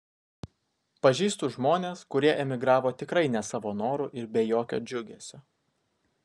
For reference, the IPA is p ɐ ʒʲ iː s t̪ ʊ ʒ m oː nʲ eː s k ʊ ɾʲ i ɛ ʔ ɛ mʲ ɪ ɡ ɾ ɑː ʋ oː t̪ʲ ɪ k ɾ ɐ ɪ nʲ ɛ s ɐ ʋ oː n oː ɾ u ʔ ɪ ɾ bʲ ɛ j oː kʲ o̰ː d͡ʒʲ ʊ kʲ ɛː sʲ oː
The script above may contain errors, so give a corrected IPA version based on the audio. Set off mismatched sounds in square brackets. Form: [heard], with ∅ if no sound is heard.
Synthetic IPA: p ɐ ʒʲ iː s t̪ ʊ ʒ m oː nʲ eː s k ʊ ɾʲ i ɛ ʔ ɛ mʲ ɪ ɡ ɾ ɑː ʋ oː t̪ʲ ɪ k ɾ ɐ ɪ nʲ ɛ s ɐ ʋ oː n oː ɾ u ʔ ɪ ɾ bʲ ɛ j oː kʲ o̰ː d͡ʒʲ ʊ [ɡʲ] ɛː sʲ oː